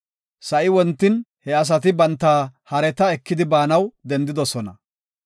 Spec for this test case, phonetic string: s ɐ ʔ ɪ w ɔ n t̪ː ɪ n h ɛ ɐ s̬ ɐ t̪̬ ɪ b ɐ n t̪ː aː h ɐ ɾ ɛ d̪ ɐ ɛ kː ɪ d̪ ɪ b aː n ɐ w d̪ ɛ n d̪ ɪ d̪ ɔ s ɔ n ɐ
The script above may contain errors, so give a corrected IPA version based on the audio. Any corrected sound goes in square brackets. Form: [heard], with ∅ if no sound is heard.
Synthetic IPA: s ɐ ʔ ɪ w ɔ n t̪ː ɪ n h ɛ ɐ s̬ ɐ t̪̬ ɪ b ɐ n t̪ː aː h ɐ ɾ ɛ [t̪] ɐ ɛ kː ɪ d̪ ɪ b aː n ɐ w d̪ ɛ n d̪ ɪ d̪ ɔ s ɔ n ɐ

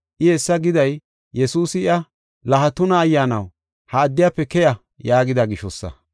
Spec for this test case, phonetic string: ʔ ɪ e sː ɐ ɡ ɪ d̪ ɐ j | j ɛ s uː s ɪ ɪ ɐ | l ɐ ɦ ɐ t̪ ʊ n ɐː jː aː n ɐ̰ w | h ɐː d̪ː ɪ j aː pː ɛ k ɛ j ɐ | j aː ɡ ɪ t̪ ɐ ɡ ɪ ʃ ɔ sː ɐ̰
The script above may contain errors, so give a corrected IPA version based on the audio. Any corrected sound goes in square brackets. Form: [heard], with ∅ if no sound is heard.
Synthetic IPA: ʔ ɪ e sː ɐ ɡ ɪ d̪ ɐ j | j ɛ s uː s ɪ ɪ ɐ | l ɐ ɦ ɐ t̪ ʊ n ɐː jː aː n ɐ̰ w | h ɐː d̪ː ɪ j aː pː ɛ k ɛ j ɐ | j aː ɡ ɪ [d̪] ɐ ɡ ɪ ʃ ɔ sː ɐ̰

